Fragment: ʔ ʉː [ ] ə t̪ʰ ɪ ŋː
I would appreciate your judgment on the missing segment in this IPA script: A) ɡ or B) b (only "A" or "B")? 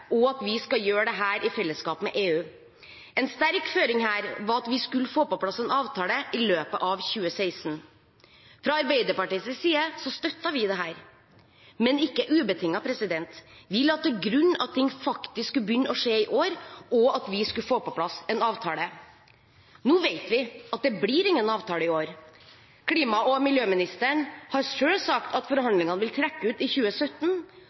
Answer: B